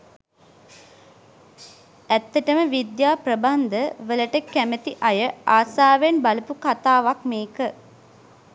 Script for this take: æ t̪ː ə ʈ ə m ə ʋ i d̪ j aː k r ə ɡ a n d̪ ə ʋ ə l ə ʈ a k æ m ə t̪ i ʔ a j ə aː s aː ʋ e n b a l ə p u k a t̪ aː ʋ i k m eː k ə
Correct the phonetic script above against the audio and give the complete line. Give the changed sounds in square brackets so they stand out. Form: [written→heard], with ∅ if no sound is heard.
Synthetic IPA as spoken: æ t̪ː ə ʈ ə m ə ʋ i d̪ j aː [k→p] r ə [ɡ→b] a n d̪ ə ʋ ə l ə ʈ [a→ə] k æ m ə t̪ i ʔ a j ə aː s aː ʋ e n b a l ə p u k a t̪ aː ʋ [i→a] k m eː k ə